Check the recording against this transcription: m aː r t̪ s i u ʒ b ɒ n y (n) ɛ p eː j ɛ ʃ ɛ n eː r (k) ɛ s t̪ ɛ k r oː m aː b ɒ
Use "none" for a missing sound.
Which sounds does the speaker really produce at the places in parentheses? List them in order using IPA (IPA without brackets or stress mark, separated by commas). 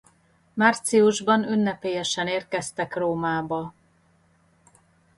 nː, k